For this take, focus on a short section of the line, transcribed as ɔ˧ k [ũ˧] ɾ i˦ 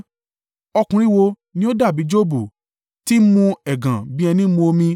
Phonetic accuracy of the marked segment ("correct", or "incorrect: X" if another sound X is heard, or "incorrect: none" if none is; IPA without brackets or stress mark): correct